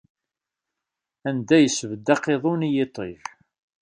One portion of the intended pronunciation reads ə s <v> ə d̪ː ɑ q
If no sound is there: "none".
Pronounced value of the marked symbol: v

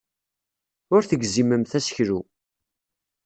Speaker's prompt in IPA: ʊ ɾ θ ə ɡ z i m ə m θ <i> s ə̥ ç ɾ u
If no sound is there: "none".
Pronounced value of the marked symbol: æ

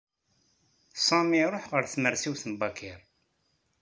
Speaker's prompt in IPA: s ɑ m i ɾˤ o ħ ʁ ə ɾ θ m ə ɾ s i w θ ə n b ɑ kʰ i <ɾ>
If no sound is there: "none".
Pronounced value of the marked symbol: ɾ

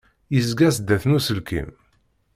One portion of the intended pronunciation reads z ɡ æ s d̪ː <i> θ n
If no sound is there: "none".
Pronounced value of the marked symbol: æ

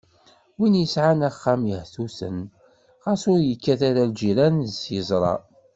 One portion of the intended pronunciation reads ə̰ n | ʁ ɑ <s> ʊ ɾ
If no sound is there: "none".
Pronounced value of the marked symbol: s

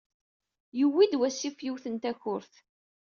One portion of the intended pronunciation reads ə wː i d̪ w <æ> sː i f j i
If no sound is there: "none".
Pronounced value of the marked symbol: æ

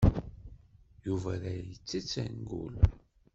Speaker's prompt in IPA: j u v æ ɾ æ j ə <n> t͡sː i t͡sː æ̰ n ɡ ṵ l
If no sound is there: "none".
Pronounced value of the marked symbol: none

